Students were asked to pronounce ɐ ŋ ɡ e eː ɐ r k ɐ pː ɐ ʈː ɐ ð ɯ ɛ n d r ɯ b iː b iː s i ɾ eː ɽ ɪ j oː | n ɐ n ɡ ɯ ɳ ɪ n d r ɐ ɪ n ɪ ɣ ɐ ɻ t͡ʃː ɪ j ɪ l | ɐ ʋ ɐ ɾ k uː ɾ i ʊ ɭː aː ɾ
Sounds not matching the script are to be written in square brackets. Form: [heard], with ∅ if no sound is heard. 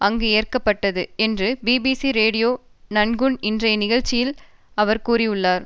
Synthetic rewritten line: ɐ ŋ ɡ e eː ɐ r k ɐ pː ɐ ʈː ɐ ð ɯ ɛ n d r ɯ b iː b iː s i ɾ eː ɽ ɪ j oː | n ɐ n ɡ ɯ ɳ ɪ n d r ɐ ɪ n ɪ ɣ ɐ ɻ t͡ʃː ɪ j ɪ l | ɐ ʋ ɐ ɾ k uː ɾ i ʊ ɭː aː ɾ